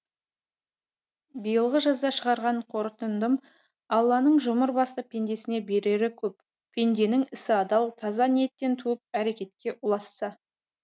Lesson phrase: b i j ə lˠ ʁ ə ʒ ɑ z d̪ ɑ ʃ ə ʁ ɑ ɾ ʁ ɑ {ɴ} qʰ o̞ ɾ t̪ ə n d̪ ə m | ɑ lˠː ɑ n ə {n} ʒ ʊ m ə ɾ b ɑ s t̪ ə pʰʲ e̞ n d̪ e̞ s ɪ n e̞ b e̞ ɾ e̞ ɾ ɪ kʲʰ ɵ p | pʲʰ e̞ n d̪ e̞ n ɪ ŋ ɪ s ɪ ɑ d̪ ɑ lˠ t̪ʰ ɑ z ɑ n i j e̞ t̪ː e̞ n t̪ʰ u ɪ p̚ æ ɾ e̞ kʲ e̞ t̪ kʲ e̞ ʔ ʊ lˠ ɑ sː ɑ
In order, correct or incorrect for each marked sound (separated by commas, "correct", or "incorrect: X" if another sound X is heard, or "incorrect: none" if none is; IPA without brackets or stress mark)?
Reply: correct, incorrect: ɴ